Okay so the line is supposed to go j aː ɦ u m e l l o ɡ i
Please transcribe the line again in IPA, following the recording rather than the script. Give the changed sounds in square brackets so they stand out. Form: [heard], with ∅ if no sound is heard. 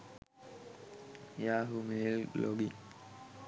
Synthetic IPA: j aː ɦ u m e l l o ɡ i